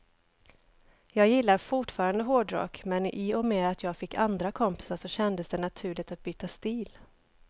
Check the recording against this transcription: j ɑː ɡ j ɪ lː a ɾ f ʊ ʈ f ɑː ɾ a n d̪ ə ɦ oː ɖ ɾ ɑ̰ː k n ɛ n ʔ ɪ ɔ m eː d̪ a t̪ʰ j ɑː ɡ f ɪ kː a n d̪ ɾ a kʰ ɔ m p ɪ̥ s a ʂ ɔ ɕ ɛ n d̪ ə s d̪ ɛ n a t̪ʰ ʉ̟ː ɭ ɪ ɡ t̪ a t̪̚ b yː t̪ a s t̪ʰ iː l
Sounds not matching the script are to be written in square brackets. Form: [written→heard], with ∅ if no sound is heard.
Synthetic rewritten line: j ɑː ɡ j ɪ lː a ɾ f ʊ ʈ f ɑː ɾ a n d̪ ə ɦ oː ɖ ɾ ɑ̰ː k [n→m] ɛ n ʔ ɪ ɔ m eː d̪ a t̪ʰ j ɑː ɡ f ɪ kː a n d̪ ɾ a kʰ ɔ m p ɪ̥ s a ʂ ɔ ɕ ɛ n d̪ ə s d̪ ɛ n a t̪ʰ ʉ̟ː ɭ ɪ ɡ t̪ a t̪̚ b yː t̪ a s [t̪ʰ→t̪] iː l